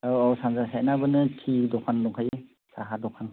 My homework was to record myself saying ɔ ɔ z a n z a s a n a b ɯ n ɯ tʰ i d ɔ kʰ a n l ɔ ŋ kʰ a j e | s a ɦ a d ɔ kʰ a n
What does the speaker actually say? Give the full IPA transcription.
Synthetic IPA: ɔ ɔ s a n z a s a n a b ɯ n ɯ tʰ i d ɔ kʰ a n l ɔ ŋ kʰ a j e | s a ɦ a d ɔ kʰ a n

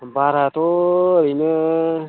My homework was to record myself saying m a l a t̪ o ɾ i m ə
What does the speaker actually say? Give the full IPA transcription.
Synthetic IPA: b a ɾ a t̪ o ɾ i n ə

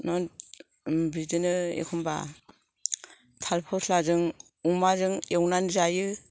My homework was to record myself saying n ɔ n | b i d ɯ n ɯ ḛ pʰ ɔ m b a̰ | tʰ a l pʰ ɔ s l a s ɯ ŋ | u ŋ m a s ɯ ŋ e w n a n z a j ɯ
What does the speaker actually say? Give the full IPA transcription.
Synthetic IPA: n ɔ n | b i d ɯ n ɯ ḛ kʰ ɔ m b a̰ | tʰ a l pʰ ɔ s l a z ɯ ŋ | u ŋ m a z ɯ ŋ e w n a n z a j ɯ

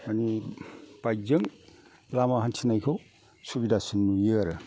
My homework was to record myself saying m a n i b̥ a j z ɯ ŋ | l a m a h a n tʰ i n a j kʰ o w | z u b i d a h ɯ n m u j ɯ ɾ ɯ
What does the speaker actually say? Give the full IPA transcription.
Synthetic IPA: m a n i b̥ a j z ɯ ŋ | l a m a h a n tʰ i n a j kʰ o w | s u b i d a s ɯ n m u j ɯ ɾ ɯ

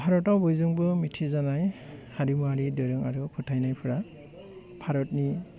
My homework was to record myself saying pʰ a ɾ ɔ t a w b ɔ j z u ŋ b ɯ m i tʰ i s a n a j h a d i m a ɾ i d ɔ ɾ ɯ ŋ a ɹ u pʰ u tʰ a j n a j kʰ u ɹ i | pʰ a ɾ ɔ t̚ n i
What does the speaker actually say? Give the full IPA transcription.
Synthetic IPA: pʰ a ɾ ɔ t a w b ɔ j z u ŋ b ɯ m i tʰ i z a n a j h a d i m a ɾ i d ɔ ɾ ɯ ŋ a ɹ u pʰ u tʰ a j n a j pʰ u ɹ a | pʰ a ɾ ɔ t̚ n i

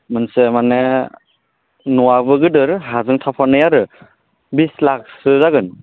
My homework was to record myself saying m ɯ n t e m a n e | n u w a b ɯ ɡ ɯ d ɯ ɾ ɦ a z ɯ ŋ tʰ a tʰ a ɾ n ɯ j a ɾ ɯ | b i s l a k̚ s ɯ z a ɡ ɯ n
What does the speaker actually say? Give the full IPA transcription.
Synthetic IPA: m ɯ n s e m a n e | n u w a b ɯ ɡ ɯ d ɯ ɾ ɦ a z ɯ ŋ tʰ a pʰ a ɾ n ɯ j a ɾ ɯ | b i s l a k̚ s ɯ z a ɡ ɯ n

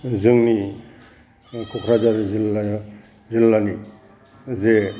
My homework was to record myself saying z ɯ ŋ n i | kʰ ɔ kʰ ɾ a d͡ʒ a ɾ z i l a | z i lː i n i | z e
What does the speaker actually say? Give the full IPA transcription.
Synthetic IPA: z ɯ ŋ n i | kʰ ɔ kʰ ɾ a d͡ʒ a ɾ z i l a | z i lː a n i | z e

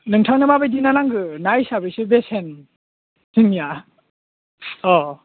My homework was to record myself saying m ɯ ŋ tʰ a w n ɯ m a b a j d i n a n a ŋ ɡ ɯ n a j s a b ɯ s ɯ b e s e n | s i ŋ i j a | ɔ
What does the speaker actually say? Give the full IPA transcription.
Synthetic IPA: n ɯ ŋ tʰ a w n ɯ m a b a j d i n a n a ŋ ɡ ɯ n a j s a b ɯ s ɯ b e s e n | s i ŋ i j a | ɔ

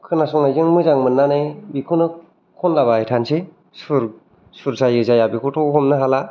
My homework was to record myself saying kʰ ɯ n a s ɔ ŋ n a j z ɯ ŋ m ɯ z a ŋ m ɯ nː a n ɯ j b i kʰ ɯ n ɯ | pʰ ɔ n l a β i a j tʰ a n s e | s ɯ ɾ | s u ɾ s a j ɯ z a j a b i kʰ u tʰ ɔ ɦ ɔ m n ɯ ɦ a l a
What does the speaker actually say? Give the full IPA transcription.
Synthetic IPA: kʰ ɯ n a s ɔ ŋ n a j z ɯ ŋ m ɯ z a ŋ m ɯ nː a n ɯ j b i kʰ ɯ n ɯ | kʰ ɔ n l a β a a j tʰ a n s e | s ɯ ɾ | s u ɾ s a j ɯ z a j a b i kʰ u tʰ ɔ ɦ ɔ m n ɯ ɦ a l a

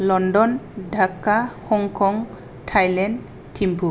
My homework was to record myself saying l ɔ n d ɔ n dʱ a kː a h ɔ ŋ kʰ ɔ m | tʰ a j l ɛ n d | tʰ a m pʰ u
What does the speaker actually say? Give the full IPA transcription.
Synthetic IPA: l ɔ n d ɔ n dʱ a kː a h ɔ ŋ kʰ ɔ ŋ | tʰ a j l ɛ n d | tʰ i m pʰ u

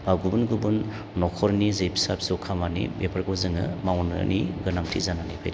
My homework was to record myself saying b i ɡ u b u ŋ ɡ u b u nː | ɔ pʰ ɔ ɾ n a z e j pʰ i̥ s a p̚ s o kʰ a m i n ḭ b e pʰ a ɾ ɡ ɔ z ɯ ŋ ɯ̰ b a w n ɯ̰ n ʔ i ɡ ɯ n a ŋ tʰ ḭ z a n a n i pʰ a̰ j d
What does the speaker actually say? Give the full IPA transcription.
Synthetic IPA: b a ɡ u b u n ɡ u b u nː | ɔ kʰ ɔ ɾ n i z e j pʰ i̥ s a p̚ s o kʰ a m a n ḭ b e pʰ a ɾ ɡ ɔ z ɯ ŋ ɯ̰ m a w n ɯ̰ n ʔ i ɡ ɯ n a ŋ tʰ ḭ z a n a n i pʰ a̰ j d

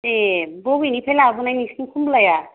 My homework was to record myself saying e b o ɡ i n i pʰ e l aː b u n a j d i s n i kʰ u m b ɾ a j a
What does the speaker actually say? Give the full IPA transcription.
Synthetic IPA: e b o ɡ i n i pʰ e l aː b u n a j n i s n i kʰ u m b l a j a

